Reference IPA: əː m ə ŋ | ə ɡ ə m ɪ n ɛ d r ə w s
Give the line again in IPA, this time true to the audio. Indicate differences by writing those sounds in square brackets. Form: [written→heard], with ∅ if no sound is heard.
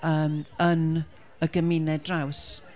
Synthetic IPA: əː m ə [ŋ→n] | ə ɡ ə m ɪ n ɛ d r [ə→a] w s